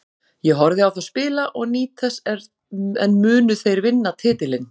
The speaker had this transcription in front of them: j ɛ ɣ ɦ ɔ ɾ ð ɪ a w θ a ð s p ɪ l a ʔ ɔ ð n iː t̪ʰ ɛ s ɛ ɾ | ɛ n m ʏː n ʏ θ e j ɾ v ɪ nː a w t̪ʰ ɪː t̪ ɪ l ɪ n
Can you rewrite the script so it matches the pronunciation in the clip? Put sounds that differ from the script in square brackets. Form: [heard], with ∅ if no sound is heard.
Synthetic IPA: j ɛ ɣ ɦ ɔ ɾ ð ɪ a w θ a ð s p [ɪː] l a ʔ ɔ [ɣ] n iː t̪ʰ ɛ s ɛ ɾ | ɛ n m ʏː n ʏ θ e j ɾ v ɪ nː a [∅] t̪ʰ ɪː t̪ ɪ l ɪ n